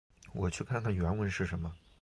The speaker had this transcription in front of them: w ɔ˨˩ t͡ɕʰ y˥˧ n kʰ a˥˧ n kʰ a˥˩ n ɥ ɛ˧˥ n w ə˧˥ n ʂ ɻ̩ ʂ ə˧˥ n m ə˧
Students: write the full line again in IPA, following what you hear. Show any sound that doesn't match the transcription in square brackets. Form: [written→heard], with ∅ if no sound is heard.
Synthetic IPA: w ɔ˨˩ t͡ɕʰ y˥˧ [n→∅] kʰ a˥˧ n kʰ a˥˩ n ɥ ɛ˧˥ n w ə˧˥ n ʂ ɻ̩ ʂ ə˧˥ n m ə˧